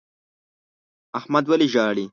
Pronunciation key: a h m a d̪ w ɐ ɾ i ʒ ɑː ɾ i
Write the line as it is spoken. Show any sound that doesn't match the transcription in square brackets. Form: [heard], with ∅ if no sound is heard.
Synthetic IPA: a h m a d̪ w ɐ [l] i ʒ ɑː [ɽ] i